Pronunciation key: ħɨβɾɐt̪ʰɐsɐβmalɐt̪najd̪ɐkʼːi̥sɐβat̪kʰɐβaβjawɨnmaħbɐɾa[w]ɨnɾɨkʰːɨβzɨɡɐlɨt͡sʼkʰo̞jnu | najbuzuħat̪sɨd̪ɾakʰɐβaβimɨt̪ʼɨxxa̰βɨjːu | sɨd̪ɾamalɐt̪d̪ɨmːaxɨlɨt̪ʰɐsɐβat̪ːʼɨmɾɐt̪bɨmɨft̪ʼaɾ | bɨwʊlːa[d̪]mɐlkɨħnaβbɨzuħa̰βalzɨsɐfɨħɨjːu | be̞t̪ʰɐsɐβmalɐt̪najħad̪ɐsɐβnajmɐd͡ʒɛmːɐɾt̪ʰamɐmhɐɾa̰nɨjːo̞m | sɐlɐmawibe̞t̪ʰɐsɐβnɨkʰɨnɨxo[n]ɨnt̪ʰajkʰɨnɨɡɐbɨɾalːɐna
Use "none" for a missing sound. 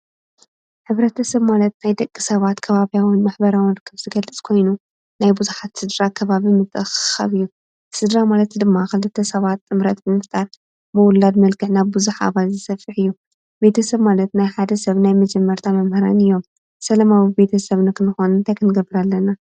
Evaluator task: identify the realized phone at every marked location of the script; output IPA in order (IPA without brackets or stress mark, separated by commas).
w, d̪, n